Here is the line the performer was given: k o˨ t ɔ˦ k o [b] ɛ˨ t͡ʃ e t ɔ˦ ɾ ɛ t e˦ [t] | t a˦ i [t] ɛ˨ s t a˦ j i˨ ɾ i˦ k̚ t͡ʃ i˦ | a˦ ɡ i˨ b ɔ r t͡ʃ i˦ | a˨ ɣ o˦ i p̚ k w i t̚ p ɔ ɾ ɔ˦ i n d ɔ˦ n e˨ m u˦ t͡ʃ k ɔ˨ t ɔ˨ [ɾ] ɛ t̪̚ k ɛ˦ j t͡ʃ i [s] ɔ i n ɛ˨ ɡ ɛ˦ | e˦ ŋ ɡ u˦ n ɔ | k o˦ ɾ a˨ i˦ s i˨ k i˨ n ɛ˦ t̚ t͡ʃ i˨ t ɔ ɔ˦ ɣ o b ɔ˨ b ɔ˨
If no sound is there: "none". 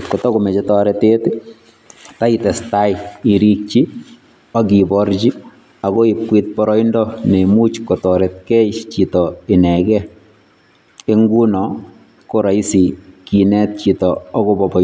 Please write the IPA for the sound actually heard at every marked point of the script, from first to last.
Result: m, t, t, ɾ, t

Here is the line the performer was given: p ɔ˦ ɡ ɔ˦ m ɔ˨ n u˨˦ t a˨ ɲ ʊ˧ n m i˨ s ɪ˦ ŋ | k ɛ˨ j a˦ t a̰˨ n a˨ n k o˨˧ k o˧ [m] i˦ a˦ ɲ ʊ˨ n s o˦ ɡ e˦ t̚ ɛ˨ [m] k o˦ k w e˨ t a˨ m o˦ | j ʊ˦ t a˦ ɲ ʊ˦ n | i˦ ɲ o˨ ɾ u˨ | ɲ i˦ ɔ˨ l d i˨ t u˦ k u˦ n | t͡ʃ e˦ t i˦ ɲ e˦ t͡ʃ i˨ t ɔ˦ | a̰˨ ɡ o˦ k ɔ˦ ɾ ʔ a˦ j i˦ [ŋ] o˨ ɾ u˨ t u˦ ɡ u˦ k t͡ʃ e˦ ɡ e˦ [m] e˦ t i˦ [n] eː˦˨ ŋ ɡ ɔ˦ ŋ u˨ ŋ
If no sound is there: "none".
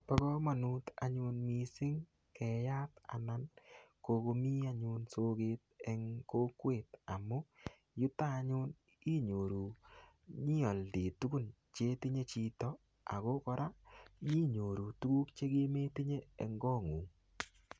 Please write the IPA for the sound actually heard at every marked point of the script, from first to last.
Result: m, ŋ, ɲ, m, ɲ

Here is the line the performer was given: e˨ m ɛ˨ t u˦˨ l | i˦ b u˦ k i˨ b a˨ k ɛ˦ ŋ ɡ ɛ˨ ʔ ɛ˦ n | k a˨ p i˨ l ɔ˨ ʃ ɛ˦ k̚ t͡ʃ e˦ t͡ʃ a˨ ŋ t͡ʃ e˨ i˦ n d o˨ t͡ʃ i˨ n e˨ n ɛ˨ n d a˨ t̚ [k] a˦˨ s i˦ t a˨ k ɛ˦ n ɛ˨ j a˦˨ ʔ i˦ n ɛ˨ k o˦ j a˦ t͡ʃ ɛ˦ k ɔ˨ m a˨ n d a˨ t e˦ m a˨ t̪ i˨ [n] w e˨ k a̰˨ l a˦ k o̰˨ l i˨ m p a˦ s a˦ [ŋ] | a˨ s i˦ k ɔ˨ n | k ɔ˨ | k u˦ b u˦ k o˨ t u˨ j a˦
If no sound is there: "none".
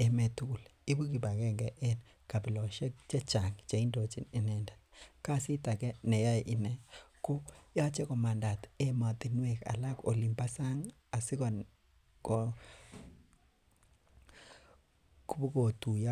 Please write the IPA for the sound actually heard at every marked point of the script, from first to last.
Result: k, n, ŋ

